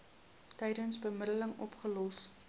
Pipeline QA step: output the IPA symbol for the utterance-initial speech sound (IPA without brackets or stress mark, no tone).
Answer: t